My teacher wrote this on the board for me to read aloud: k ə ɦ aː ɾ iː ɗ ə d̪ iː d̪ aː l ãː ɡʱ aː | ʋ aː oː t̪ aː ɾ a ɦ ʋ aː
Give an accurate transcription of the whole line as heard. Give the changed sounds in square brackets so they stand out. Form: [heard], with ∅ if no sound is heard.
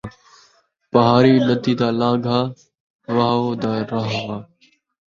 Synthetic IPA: [p] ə ɦ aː ɾ iː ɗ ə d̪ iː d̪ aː l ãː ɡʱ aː | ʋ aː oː [d̪] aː ɾ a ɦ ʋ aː